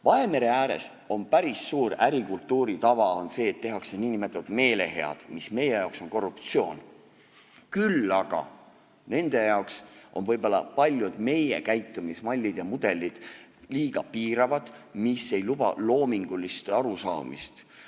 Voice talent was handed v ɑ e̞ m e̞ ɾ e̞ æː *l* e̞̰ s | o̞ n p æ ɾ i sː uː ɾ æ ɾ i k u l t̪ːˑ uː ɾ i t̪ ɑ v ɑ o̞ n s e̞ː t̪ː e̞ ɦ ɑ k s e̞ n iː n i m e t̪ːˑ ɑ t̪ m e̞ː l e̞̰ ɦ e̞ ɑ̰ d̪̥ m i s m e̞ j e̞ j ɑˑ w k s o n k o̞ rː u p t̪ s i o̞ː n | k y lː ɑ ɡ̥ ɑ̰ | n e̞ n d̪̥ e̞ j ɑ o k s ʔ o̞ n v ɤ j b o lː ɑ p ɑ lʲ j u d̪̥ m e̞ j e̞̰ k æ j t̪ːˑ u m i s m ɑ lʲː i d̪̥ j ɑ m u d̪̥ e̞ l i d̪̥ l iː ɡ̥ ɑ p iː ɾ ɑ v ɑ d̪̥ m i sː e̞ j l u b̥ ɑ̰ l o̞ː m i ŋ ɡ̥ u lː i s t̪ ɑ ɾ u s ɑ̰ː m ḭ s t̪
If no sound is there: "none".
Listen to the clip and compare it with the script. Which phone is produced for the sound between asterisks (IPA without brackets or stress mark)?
ɾ